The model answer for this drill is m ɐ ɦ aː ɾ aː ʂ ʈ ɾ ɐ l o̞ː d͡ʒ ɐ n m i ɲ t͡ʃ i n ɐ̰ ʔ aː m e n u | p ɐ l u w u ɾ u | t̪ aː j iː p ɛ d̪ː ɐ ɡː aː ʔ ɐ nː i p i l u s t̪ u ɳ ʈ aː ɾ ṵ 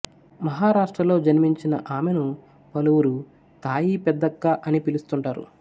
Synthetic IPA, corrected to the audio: m ɐ ɦ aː ɾ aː ʂ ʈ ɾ ɐ l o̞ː d͡ʒ ɐ n m i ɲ t͡ʃ i n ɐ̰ ʔ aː m e n u | p ɐ l u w u ɾ u | t̪ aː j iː p ɛ d̪ː ɐ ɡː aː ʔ ɐ n i p i l u s t̪ u ɳ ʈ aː ɾ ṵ

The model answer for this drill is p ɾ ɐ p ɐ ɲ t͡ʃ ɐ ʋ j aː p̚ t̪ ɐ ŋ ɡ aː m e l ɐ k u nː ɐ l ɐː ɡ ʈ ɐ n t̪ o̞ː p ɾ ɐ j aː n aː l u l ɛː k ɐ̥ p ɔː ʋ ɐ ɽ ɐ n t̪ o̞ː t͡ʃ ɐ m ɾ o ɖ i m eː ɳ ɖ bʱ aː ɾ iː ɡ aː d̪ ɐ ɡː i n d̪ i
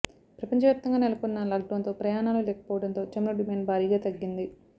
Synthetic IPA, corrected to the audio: p ɾ ɐ p ɐ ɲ t͡ʃ ɐ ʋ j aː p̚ t̪ ɐ ŋ ɡ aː n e l ɐ k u nː ɐ l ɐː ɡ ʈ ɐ n t̪ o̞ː p ɾ ɐ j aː n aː l u l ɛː k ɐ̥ p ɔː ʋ ɐ ɽ ɐ n t̪ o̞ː t͡ʃ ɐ m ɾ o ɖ i m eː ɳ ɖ bʱ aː ɾ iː ɡ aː t̪ ɐ ɡː i n d̪ i

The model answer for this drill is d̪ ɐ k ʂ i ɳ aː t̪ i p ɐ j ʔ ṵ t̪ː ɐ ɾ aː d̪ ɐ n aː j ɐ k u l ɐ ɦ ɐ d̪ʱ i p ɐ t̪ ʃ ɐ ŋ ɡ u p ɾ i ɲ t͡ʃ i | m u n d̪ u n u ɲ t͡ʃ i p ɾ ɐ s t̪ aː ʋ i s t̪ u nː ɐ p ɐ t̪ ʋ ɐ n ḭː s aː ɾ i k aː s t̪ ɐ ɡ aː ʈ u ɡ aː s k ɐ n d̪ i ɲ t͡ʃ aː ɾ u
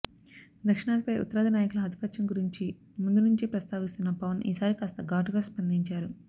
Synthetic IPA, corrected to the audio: d̪ ɐ k ʂ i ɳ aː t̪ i p ɐ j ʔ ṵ t̪ː ɐ ɾ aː d̪ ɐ n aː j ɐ k u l ɐ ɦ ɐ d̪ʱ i p ɐ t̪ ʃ ɐ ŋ ɡ u ɾ i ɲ t͡ʃ i | m u n d̪ u n u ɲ t͡ʃ i p ɾ ɐ s t̪ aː ʋ i s t̪ u nː ɐ p ɐ ʋ ɐ n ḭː s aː ɾ i k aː s t̪ ɐ ɡ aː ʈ u ɡ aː s p ɐ n d̪ i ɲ t͡ʃ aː ɾ u

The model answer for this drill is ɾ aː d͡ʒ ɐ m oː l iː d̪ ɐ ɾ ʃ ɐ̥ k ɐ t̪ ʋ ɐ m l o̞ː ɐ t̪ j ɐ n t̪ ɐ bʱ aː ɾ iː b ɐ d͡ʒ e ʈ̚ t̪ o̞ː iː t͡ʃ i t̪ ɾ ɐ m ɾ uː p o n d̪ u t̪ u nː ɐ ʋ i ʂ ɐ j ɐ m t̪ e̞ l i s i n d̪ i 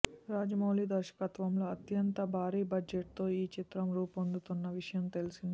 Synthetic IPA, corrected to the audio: ɾ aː d͡ʒ ɐ m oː l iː d̪ ɐ ɾ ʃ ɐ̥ k ɐ t̪ ʋ ɐ m l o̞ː ɐ t̪ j ɐ n t̪ ɐ bʱ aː ɾ iː b ɐ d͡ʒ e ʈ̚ t̪ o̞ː iː t͡ʃ i t̪ ɾ ɐ m ɾ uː p o n d̪ u t̪ u nː ɐ ʋ i ʂ ɐ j ɐ m t̪ e̞ l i s i n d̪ i

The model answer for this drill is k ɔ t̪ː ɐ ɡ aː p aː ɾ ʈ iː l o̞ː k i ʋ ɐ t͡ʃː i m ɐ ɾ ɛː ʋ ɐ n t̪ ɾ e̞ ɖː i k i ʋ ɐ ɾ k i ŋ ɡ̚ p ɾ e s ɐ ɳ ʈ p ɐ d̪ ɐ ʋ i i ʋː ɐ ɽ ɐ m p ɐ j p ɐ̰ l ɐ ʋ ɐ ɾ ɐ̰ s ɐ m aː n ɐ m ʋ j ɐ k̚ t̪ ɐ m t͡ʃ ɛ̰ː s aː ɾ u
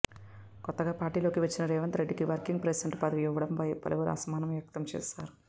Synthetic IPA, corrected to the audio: k ɔ t̪ː ɐ ɡ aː p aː ɾ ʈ iː l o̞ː k i ʋ ɐ t͡ʃː i n ɐ ɾ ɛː ʋ ɐ n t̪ ɾ e̞ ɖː i k i ʋ ɐ ɾ k i ŋ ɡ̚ p ɾ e s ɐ ɳ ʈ p ɐ d̪ ɐ ʋ i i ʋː ɐ ɽ ɐ m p ɐ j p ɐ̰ l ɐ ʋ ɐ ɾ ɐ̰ s ɐ m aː n ɐ m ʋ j ɐ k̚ t̪ ɐ m t͡ʃ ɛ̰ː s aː ɾ u

